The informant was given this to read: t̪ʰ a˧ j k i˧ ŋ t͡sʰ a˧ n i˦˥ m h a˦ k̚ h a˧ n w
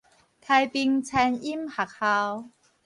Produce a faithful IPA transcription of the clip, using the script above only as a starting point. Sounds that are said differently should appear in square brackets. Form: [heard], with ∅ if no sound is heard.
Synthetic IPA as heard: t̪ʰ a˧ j [p] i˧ ŋ t͡sʰ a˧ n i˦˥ m h [a˨˩] k̚ h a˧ [∅] w